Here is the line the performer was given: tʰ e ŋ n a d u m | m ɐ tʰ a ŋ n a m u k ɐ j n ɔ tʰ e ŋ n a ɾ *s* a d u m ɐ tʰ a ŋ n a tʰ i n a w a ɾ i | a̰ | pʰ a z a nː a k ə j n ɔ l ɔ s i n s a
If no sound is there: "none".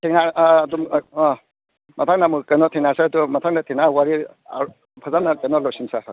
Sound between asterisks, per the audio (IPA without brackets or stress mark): s